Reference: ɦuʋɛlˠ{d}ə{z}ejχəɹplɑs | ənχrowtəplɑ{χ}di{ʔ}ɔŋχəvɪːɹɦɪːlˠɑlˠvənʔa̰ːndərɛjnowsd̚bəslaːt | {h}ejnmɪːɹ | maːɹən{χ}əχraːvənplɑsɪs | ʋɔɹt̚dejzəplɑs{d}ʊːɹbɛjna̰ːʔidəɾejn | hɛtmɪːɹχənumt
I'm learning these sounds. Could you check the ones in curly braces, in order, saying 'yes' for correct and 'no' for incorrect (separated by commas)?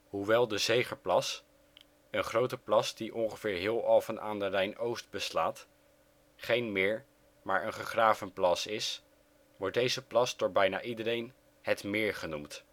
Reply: yes, yes, no, yes, no, yes, yes